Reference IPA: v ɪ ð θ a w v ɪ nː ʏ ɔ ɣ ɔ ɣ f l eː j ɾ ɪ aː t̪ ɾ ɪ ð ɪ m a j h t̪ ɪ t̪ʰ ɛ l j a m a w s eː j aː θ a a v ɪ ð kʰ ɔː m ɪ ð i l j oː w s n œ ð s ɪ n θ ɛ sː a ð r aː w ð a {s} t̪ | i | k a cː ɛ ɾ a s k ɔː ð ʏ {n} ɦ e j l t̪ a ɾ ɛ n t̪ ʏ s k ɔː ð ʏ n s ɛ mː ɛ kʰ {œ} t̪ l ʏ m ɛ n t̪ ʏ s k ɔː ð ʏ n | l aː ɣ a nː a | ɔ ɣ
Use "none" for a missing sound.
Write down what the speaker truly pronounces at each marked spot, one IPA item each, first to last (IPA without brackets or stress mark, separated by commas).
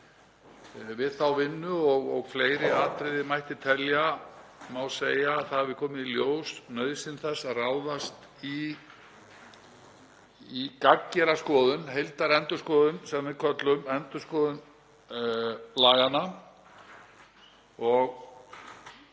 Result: s, n, œ